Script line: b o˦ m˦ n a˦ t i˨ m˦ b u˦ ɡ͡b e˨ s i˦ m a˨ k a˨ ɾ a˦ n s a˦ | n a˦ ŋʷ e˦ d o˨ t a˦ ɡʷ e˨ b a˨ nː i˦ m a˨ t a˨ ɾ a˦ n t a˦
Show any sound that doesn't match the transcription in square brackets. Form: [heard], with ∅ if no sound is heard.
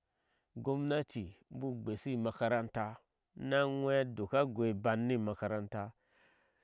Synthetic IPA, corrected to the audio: [ɡ] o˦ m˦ n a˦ t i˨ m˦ b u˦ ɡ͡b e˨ s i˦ m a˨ k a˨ ɾ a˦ n [t] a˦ | n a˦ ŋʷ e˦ d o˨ [k] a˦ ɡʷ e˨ b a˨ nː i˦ m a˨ [k] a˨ ɾ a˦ n t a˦